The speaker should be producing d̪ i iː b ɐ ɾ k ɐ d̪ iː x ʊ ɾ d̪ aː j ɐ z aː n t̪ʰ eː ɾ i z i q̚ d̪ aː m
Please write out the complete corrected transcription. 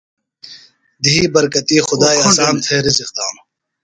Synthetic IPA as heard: d̪ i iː b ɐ ɾ k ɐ t̪ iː x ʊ d̪ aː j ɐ s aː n t̪ʰ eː ɾ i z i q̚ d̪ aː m